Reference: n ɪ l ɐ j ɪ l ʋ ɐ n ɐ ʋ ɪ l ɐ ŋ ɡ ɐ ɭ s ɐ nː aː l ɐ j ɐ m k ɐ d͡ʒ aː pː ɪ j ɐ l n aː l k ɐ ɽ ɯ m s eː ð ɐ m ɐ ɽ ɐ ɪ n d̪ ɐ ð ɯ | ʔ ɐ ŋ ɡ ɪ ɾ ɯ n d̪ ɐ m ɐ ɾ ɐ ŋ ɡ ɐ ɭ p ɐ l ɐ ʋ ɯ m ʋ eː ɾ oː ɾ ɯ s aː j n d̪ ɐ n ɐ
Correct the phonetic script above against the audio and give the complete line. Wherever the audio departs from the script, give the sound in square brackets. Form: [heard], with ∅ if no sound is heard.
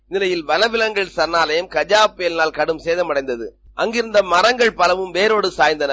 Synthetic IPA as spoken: n ɪ l ɐ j ɪ l ʋ ɐ n ɐ ʋ ɪ l ɐ ŋ ɡ ɐ ɭ s ɐ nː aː l ɐ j ɐ m k ɐ d͡ʒ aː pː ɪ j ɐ l n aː l k ɐ ɽ ɯ m s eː ð ɐ m ɐ ɽ ɐ ɪ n d̪ ɐ ð ɯ | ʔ ɐ ŋ ɡ ɪ ɾ ɯ n d̪ ɐ m ɐ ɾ ɐ ŋ ɡ ɐ ɭ p ɐ l ɐ ʋ ɯ m ʋ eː ɾ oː [ɽ] ɯ s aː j n d̪ ɐ n ɐ